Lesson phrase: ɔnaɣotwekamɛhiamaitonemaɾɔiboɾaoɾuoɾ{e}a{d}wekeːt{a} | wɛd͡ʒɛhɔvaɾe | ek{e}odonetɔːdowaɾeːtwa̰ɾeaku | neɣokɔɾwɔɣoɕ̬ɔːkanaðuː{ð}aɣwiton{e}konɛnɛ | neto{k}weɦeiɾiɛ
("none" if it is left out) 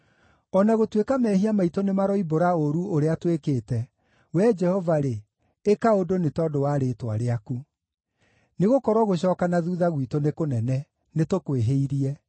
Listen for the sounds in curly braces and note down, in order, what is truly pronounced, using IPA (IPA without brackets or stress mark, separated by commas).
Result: e, t, ɛ, a, ð, e, k